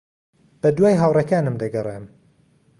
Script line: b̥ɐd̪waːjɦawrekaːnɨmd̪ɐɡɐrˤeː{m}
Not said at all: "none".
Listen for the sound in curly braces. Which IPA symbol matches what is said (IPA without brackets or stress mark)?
m